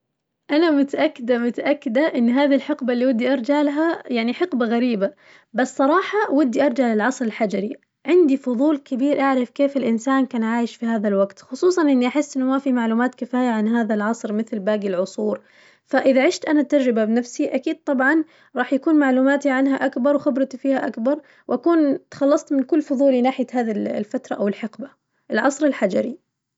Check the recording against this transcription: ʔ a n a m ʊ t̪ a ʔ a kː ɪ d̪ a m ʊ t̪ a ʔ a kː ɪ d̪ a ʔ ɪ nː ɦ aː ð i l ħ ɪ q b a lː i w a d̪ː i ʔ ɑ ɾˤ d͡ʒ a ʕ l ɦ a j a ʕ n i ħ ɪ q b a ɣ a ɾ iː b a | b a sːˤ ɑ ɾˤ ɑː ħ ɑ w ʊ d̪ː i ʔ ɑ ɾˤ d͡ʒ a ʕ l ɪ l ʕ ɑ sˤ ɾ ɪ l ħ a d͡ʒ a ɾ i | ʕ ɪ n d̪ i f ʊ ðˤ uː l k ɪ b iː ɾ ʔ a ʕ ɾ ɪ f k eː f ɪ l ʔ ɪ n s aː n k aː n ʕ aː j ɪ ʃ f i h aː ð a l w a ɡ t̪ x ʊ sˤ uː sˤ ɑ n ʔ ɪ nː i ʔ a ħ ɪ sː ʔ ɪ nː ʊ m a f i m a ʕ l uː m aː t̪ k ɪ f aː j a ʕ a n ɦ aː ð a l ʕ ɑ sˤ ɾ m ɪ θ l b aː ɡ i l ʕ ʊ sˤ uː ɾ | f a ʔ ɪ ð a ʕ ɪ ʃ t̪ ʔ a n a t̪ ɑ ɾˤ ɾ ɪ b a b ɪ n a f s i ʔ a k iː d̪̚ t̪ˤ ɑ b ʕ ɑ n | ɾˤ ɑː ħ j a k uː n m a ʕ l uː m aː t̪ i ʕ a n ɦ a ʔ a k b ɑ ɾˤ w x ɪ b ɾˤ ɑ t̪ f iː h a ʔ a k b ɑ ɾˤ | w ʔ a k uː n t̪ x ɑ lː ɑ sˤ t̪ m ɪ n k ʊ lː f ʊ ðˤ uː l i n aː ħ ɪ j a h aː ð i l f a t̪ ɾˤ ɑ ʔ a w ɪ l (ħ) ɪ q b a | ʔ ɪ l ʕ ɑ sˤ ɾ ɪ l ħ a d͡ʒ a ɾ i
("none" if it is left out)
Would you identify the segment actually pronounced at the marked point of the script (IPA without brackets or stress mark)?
ħ